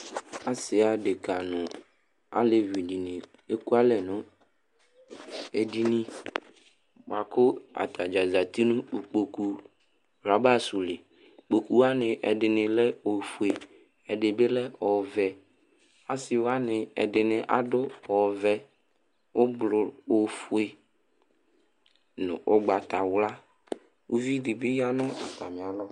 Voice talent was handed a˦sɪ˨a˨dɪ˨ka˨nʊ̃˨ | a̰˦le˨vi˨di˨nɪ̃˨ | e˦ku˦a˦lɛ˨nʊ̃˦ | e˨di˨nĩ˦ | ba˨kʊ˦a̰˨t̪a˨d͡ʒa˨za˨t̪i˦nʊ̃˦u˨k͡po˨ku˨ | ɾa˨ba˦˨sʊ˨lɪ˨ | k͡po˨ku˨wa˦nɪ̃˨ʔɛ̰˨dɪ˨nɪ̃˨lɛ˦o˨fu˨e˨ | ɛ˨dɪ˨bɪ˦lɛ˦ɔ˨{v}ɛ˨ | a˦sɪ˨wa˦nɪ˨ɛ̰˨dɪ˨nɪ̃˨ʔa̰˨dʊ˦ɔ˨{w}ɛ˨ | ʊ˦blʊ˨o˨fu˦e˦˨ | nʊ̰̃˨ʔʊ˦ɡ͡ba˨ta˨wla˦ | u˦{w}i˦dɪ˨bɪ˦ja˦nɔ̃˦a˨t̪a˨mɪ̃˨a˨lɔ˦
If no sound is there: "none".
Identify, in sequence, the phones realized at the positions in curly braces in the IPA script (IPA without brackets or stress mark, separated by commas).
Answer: v, v, v